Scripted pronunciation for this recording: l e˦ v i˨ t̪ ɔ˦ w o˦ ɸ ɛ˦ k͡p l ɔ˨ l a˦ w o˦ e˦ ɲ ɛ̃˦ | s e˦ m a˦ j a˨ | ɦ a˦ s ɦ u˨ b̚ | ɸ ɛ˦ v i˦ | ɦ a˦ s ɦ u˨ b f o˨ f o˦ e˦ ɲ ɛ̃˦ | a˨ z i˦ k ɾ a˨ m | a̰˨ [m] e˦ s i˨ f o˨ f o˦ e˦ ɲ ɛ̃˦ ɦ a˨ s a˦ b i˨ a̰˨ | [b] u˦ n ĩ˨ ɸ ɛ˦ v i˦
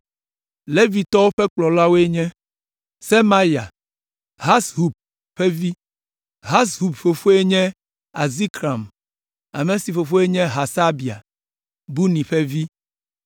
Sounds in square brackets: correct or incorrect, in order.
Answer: correct, correct

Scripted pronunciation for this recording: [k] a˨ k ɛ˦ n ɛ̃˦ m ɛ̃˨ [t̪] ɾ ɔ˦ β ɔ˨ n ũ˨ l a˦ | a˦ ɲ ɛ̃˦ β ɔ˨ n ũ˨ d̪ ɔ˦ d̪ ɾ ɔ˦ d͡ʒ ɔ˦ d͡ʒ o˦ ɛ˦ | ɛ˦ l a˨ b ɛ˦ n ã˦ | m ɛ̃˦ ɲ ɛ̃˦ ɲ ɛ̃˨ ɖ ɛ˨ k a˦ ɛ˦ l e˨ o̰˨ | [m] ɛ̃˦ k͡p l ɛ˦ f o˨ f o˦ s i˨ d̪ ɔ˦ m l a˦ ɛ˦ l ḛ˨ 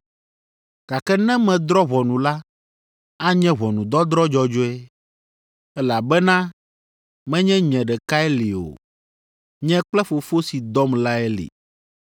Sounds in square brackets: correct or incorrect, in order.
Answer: correct, incorrect: d̪, incorrect: ɲ

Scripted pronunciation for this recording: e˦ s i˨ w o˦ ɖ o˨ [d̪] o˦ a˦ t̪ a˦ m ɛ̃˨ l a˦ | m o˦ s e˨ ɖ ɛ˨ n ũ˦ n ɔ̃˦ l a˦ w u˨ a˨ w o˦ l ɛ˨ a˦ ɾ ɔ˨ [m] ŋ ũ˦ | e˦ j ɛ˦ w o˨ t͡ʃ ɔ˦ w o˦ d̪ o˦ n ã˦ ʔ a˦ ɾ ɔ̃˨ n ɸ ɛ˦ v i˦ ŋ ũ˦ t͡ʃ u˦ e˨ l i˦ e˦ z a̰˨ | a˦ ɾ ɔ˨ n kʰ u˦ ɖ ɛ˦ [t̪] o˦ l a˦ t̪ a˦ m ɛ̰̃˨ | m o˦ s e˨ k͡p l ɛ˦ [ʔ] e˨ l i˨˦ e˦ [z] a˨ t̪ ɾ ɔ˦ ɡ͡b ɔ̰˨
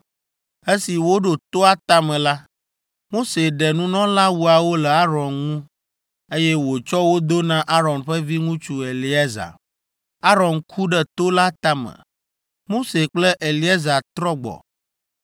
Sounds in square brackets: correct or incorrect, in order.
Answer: incorrect: t̪, incorrect: n, correct, correct, correct

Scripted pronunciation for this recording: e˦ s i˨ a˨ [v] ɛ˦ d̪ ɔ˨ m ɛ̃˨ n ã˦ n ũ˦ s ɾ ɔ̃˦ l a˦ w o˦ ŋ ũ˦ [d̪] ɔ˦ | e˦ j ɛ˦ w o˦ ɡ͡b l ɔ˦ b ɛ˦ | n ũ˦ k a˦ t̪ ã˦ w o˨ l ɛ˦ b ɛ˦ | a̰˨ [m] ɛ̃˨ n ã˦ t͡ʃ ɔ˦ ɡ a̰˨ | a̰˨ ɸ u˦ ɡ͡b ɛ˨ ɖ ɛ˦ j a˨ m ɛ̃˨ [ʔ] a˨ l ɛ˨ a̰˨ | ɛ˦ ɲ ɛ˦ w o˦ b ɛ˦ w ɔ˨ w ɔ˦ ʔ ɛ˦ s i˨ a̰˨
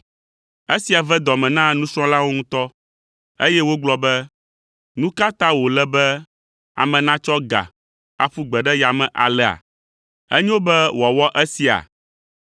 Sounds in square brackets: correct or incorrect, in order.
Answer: correct, incorrect: t̪, correct, correct

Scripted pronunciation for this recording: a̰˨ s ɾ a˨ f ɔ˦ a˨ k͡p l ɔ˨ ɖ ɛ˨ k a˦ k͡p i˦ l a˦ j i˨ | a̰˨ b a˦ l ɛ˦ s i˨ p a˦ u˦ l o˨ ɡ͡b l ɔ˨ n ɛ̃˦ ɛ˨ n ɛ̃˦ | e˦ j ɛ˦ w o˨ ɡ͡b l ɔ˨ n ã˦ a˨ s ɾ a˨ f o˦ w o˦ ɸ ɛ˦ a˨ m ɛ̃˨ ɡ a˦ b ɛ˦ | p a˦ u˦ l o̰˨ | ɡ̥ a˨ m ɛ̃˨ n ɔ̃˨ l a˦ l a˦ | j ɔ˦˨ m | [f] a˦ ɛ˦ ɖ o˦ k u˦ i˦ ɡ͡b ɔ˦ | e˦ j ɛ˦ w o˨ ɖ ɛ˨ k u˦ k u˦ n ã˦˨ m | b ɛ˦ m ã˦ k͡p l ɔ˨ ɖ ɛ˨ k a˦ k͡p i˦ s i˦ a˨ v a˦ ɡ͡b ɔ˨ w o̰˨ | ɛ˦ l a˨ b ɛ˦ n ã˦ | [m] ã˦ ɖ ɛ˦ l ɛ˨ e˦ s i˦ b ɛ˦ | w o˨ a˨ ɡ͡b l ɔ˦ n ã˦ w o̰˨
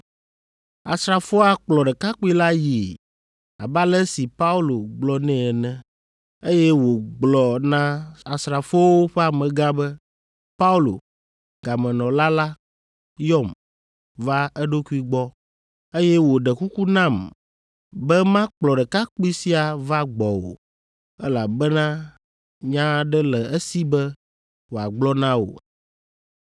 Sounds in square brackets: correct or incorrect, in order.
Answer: incorrect: v, incorrect: ɲ

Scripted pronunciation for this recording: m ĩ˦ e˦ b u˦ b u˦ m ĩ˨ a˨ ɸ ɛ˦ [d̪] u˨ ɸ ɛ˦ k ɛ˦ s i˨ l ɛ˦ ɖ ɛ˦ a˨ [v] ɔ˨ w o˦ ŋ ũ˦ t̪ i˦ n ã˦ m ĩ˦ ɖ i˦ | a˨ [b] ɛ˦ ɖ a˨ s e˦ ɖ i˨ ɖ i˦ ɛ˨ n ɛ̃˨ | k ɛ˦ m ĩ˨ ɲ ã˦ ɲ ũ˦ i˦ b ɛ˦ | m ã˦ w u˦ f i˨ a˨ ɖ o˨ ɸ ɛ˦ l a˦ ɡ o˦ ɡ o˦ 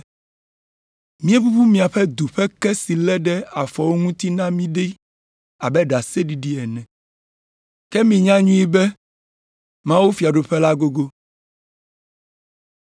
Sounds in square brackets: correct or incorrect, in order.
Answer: correct, incorrect: f, correct

